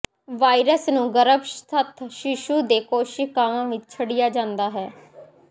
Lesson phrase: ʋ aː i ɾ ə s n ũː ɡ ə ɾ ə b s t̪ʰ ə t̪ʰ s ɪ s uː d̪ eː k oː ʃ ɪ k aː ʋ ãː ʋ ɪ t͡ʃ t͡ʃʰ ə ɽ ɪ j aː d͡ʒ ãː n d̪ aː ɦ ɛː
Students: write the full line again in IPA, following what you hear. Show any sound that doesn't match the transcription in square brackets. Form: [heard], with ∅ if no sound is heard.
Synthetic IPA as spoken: ʋ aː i ɾ ə s n ũː ɡ ə ɾ ə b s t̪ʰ ə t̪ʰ [ʃ] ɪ [ʃ] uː d̪ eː k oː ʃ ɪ k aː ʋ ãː ʋ ɪ t͡ʃ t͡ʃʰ ə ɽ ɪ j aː d͡ʒ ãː n d̪ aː ɦ ɛː